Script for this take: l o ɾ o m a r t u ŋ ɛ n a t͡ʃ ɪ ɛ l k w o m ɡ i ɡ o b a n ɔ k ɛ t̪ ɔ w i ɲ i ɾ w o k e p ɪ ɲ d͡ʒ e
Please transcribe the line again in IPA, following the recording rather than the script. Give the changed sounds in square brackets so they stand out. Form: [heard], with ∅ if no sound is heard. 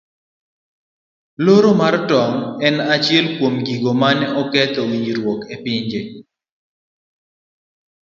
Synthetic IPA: l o ɾ o m a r t [ɔ] ŋ ɛ n a t͡ʃ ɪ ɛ l k w o m ɡ i ɡ o [m] a n ɔ k ɛ t̪ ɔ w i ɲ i ɾ w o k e p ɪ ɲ d͡ʒ e